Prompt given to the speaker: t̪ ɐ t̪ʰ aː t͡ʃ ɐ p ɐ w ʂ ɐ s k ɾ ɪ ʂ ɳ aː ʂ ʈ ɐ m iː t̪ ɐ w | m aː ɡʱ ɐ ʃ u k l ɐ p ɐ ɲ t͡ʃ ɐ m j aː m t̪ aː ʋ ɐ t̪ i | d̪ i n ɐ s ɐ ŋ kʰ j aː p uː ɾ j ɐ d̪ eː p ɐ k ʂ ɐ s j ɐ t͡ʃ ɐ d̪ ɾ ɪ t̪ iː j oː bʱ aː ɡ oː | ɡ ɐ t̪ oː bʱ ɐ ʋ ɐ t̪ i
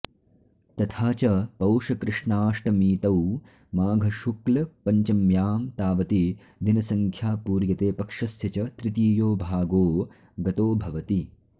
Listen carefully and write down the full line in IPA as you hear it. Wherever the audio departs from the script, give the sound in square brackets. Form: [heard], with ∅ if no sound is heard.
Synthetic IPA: t̪ ɐ t̪ʰ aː t͡ʃ ɐ p ɐ w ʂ ɐ [∅] k ɾ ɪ ʂ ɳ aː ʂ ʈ ɐ m iː t̪ ɐ w | m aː ɡʱ ɐ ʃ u k l ɐ p ɐ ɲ t͡ʃ ɐ m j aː m t̪ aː ʋ ɐ t̪ i | d̪ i n ɐ s ɐ ŋ kʰ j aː p uː ɾ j ɐ [t̪] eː p ɐ k ʂ ɐ s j ɐ t͡ʃ ɐ [t̪] ɾ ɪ t̪ iː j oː bʱ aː ɡ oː | ɡ ɐ t̪ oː bʱ ɐ ʋ ɐ t̪ i